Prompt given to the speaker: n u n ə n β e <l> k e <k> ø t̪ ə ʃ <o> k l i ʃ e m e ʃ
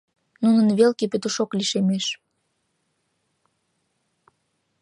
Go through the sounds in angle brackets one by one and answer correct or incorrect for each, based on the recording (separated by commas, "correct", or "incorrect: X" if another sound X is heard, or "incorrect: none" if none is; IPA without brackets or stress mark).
correct, incorrect: p, correct